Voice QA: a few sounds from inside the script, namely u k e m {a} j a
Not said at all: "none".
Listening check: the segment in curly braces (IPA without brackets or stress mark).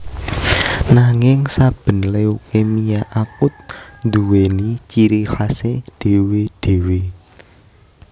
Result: i